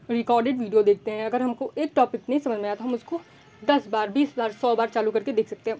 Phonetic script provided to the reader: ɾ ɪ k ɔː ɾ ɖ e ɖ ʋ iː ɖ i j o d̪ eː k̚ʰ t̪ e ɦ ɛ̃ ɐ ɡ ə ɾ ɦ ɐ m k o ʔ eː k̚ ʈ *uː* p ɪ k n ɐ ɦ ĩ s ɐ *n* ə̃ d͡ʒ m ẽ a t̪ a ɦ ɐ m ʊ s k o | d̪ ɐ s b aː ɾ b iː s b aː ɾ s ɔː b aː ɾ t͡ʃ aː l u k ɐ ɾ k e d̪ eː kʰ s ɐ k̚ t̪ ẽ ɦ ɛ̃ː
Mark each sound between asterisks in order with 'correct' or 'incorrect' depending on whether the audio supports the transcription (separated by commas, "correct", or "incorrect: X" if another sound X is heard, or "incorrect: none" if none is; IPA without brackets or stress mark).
incorrect: ɔː, incorrect: m